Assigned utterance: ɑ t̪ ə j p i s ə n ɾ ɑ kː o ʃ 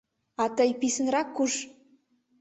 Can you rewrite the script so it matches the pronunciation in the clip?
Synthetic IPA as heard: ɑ t̪ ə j p i s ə n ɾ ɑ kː u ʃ

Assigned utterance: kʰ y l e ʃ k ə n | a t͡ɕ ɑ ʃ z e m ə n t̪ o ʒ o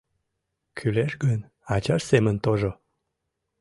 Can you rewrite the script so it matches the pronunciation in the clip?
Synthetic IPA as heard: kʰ y l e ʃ ɡ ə n | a t͡ɕ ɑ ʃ s e m ə n t̪ o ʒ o

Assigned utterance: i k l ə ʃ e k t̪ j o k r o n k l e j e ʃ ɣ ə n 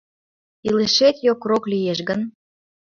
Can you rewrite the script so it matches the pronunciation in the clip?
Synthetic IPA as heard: i l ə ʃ e t̪ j o k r o k l i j e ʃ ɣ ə n

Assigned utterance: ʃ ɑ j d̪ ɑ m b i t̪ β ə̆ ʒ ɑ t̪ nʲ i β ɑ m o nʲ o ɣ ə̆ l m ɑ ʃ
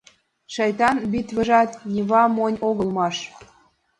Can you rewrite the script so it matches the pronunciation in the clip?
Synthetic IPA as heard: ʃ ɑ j t̪ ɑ n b i t̪ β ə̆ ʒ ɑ t̪ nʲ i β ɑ m o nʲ o ɣ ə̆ l m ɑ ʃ

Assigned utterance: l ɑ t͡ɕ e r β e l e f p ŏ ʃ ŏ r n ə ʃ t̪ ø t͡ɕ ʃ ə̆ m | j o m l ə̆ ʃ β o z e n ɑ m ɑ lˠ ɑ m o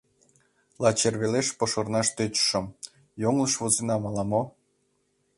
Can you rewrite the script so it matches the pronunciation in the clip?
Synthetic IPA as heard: l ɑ t͡ɕ e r β e l e ʃ p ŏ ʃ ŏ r n ɑ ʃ t̪ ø t͡ɕ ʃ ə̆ m | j o ŋ l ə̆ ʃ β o z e n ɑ m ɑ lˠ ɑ m o

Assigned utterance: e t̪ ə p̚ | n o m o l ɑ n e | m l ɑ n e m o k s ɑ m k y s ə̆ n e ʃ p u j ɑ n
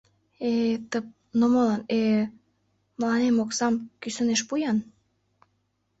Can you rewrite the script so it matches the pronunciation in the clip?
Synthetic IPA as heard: e t̪ ə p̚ | n o m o l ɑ n e | m l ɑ n e m o k s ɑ m k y s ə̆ n e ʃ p u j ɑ n

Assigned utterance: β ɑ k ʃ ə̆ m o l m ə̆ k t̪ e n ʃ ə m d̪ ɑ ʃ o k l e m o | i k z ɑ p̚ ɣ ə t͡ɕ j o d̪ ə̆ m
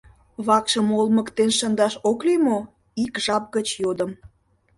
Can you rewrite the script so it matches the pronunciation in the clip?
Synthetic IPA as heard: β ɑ k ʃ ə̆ m o l m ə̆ k t̪ e n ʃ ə n d̪ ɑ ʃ o k l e m o | i k ʒ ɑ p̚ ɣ ə t͡ɕ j o d̪ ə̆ m

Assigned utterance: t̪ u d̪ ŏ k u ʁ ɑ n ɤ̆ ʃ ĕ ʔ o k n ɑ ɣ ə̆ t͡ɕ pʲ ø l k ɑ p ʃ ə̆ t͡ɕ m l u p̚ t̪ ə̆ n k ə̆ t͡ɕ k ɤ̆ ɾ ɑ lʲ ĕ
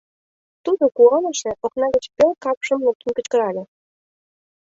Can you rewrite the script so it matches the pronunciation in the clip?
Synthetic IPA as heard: t̪ u d̪ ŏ k u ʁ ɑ n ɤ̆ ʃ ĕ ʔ o k n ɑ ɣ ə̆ t͡ɕ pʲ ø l k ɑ p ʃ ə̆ m l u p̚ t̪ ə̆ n k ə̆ t͡ɕ k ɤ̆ ɾ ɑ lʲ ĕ

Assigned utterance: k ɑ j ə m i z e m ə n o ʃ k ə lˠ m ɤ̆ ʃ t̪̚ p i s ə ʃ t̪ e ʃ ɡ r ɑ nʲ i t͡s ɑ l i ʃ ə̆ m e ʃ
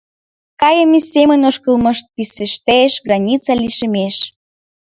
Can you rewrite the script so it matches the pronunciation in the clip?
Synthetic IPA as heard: k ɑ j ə m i s e m ə n o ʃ k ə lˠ m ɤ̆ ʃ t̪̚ p i s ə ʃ t̪ e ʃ ɡ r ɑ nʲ i t͡s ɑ l i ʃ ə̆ m e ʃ

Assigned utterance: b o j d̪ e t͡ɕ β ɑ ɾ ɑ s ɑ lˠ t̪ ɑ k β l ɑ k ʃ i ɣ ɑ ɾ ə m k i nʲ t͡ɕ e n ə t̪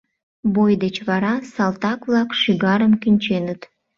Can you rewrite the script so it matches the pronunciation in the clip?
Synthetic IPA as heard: b o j d̪ e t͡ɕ β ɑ ɾ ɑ s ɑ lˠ t̪ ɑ k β l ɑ k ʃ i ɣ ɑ ɾ ə m k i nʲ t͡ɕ e n ə t̪

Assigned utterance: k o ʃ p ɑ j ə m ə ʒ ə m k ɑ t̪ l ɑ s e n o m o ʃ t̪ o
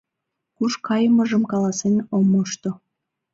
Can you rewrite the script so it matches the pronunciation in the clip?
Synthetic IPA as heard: k u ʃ k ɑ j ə m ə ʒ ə m k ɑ l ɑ s e n o m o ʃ t̪ o

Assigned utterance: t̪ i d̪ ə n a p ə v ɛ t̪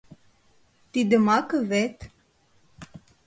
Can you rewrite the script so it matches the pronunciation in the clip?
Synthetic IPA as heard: t̪ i d̪ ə m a k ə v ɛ t̪

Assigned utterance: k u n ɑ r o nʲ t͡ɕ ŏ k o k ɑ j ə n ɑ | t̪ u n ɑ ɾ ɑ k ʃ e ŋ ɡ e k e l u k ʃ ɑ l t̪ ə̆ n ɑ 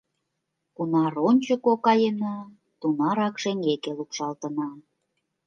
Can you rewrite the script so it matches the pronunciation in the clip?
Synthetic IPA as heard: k u n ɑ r o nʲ t͡ɕ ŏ k o k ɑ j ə n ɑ | t̪ u n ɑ ɾ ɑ k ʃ e ŋ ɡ e k e l u k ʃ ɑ l t̪ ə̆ n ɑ

